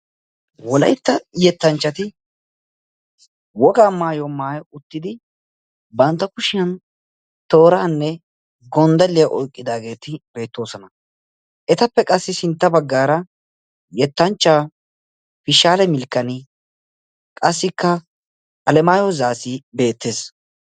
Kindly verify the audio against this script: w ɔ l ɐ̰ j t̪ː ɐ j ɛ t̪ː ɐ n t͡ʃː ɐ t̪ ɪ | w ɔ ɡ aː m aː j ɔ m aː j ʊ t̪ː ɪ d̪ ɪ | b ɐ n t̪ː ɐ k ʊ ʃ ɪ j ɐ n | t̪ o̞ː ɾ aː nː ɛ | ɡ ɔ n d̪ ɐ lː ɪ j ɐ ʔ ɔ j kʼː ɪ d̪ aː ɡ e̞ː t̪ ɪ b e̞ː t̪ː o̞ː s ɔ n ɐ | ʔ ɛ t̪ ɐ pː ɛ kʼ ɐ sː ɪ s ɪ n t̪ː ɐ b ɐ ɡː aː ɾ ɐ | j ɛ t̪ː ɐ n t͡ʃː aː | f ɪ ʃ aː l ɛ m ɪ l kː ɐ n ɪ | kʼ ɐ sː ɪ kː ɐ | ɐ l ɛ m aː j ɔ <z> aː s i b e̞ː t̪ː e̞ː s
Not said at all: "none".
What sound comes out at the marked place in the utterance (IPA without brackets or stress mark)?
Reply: z